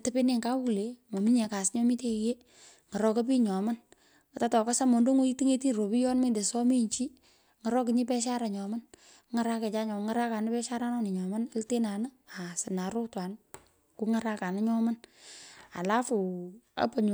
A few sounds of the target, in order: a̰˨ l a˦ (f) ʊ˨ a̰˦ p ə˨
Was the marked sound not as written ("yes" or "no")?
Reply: no